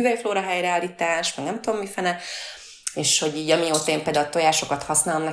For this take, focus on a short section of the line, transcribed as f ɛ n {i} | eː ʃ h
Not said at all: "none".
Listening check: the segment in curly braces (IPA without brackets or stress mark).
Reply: ɛ